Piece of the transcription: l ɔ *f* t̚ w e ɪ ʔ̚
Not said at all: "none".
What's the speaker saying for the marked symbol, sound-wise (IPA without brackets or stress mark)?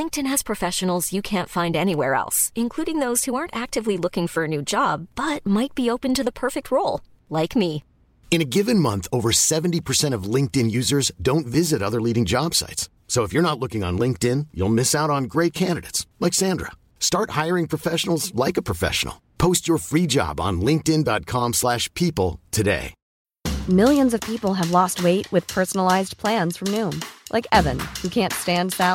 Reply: s